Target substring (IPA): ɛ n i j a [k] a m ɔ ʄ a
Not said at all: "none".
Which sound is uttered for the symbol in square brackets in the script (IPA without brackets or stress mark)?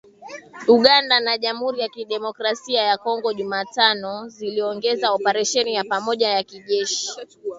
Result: p